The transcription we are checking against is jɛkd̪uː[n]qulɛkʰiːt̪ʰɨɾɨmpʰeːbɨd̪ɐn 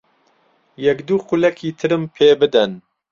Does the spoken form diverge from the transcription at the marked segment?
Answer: yes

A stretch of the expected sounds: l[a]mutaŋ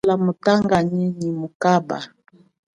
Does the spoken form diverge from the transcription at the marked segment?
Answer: no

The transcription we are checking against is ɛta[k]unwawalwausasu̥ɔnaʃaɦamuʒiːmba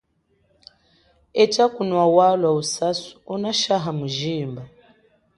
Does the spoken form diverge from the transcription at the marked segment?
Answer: no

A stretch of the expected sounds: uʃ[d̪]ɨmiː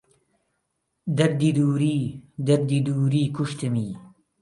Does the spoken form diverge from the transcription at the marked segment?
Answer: yes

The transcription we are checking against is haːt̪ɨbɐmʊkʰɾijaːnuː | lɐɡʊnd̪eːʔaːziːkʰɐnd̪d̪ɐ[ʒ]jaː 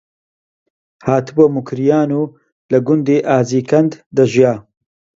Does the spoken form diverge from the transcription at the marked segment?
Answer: no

